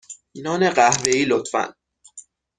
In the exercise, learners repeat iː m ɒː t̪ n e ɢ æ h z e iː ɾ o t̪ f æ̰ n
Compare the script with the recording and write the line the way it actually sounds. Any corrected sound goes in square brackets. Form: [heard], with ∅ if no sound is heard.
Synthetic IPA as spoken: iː [n] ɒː [∅] n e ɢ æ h [v] e iː [l] o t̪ f æ̰ n